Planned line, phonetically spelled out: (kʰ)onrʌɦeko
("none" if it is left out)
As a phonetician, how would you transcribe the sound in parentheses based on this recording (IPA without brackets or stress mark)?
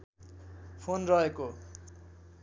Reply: pʰ